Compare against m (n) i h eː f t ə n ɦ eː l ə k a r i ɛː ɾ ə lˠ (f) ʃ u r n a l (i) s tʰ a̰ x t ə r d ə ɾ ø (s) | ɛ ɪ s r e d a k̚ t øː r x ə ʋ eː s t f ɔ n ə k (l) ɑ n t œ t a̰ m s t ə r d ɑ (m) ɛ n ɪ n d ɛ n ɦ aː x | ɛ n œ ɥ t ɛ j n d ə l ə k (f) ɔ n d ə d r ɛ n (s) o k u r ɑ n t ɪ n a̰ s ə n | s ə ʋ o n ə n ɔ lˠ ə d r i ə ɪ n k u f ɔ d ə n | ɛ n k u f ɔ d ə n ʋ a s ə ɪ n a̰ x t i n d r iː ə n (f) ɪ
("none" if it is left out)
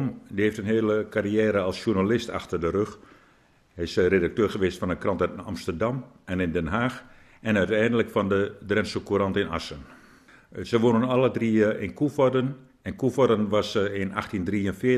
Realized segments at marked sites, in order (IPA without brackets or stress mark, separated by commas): d, s, ɪ, x, r, m, f, s, f